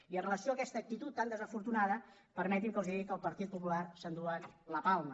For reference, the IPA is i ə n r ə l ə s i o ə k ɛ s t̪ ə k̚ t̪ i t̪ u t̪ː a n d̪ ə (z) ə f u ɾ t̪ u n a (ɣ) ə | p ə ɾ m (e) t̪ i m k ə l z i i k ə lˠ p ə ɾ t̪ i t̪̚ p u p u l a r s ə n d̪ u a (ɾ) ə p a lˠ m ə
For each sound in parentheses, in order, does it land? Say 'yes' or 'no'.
yes, no, no, no

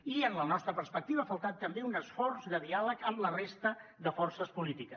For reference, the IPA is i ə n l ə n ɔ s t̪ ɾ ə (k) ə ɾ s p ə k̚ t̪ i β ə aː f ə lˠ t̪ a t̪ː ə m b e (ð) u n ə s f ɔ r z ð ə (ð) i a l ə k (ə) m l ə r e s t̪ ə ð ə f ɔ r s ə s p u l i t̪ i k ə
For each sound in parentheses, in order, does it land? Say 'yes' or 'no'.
no, no, yes, yes

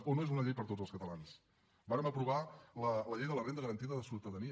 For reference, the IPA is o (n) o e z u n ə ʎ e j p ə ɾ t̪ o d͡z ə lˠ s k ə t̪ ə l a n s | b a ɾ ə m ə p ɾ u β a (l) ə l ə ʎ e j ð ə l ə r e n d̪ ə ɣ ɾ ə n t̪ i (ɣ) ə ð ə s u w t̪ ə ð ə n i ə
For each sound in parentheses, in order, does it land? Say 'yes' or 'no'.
yes, yes, no

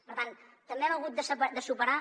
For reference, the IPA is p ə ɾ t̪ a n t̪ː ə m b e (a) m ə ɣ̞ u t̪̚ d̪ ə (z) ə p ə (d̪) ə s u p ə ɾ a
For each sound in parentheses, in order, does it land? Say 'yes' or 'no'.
no, no, yes

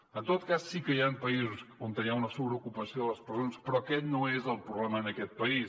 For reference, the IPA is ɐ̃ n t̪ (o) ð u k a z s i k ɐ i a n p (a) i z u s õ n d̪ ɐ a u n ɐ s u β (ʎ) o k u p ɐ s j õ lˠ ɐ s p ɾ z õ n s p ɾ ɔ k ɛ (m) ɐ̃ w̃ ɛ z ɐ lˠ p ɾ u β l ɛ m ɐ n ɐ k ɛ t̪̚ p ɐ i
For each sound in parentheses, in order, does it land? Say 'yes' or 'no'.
yes, no, no, no

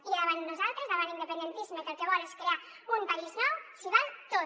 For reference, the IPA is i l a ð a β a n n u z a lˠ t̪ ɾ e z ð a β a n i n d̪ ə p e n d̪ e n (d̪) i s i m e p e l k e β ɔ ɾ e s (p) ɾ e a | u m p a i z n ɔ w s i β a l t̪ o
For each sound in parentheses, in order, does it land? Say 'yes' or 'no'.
no, no

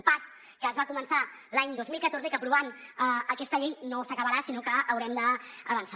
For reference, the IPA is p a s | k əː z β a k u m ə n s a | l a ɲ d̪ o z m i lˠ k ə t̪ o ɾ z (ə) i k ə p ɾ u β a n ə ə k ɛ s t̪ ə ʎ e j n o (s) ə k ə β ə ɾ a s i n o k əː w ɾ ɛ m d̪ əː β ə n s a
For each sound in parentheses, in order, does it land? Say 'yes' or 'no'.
yes, yes

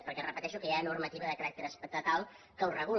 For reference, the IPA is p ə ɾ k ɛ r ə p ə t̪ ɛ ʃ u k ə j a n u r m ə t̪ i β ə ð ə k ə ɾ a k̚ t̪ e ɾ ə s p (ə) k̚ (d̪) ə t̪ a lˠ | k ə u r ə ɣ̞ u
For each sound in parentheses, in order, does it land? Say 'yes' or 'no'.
yes, no

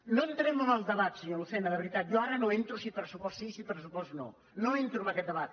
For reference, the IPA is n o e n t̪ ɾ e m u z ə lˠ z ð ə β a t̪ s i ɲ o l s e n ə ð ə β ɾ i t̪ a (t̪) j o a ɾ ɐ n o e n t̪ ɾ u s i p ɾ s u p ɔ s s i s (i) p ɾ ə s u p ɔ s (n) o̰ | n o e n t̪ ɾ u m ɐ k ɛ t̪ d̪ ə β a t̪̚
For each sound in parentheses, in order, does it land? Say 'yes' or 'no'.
yes, yes, yes

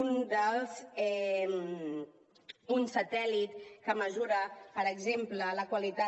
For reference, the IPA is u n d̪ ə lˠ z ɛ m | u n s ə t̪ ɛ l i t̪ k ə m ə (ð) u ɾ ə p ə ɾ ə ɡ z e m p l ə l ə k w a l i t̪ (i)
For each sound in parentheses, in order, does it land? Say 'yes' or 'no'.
no, no

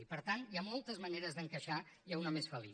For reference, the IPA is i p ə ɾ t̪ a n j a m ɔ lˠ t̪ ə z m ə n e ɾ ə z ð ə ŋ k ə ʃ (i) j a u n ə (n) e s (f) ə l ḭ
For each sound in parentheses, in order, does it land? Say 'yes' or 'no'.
no, no, yes

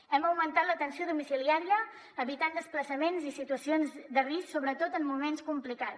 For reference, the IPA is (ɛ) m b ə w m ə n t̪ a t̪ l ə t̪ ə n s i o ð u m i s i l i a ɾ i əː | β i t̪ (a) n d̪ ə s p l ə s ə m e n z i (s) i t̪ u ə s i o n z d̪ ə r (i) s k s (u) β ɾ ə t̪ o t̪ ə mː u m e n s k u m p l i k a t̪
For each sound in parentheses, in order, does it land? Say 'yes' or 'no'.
yes, yes, yes, yes, no

